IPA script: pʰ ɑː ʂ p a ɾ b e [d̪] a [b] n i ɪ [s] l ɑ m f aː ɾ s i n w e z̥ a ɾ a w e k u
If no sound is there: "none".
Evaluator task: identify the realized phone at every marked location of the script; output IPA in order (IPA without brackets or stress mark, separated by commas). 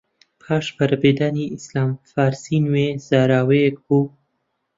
d̪, none, s